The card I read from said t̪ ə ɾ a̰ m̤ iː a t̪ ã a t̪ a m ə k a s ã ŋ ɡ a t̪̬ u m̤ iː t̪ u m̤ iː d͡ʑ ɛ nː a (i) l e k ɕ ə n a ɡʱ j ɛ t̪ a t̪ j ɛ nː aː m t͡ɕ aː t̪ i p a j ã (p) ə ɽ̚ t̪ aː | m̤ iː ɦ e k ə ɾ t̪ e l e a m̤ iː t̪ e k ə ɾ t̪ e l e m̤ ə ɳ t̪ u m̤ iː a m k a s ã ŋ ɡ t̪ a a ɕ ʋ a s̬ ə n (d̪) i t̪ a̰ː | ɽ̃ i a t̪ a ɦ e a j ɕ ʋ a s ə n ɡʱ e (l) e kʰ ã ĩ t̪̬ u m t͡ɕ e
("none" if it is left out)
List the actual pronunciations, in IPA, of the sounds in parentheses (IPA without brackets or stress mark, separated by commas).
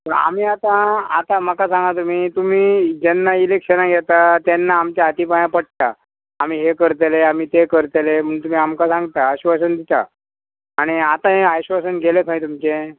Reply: i, p, d̪, l